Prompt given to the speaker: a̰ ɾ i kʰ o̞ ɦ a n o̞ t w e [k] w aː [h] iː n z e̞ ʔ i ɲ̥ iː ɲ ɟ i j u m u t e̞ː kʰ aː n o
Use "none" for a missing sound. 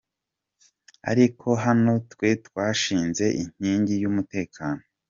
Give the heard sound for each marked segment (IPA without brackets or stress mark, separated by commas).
t, ʃ